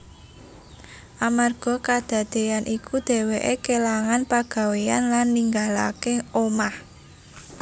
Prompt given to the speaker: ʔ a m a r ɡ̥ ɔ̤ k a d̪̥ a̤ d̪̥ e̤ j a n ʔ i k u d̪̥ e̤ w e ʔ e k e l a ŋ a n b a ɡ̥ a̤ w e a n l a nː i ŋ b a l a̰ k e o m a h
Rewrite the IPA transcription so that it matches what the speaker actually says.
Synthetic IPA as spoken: ʔ a m a r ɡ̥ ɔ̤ k a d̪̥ a̤ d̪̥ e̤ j a n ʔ i k u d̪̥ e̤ w e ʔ e k e l a ŋ a n p a ɡ̥ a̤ w e a n l a nː i ŋ ɡ a l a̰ k e o m a h